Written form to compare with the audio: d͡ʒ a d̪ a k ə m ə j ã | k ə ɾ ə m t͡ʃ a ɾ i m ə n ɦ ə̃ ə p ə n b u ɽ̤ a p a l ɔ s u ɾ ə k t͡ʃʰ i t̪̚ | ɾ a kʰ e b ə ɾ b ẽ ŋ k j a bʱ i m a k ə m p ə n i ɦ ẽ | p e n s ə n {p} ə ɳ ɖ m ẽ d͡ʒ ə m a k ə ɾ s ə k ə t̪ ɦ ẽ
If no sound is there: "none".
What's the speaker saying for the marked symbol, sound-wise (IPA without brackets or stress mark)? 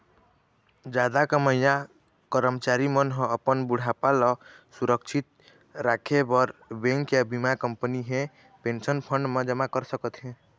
pʰ